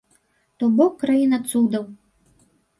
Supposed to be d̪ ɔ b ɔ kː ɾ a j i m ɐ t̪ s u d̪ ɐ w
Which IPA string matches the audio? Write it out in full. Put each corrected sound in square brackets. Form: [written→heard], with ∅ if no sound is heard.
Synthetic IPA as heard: [d̪→t̪] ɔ b ɔ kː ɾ a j i [m→n] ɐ t̪ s u d̪ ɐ w